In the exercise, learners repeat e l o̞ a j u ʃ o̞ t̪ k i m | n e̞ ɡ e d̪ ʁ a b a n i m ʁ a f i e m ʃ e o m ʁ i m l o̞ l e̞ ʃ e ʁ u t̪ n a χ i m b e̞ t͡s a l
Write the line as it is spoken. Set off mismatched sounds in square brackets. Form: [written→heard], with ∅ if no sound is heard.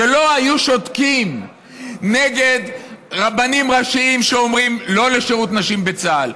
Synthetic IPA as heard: e l o̞ a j u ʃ o̞ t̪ k i m | n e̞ ɡ e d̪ ʁ a b a n i m ʁ a [f→ʃ] i [e→i] m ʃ e o m ʁ i m l o̞ l e̞ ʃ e ʁ u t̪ n a [χ→ʃ] i m b e̞ t͡s a l